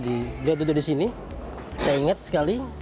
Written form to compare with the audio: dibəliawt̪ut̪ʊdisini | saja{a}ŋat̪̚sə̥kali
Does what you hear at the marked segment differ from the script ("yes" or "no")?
yes